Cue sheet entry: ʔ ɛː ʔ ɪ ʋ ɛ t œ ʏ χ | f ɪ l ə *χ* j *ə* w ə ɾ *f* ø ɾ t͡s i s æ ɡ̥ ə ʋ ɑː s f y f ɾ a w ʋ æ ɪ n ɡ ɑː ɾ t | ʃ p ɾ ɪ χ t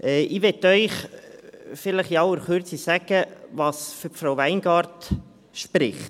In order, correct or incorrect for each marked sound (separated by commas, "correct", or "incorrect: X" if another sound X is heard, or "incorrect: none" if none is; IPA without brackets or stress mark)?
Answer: correct, incorrect: ɑ, incorrect: χ